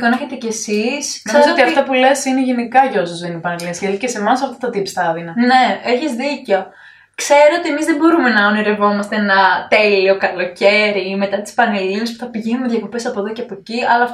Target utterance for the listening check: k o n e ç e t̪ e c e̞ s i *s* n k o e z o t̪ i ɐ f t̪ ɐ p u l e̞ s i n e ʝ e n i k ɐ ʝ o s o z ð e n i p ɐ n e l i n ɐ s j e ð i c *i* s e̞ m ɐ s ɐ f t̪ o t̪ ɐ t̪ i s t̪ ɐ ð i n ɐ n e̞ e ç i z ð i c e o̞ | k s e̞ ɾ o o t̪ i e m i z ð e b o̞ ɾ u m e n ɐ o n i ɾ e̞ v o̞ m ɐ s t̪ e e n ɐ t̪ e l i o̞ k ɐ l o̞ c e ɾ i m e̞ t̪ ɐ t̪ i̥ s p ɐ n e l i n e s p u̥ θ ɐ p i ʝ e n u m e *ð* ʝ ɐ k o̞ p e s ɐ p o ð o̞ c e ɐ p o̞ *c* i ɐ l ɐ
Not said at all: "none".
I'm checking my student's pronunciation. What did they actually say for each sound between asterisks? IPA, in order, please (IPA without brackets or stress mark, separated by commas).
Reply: s, e, ð, c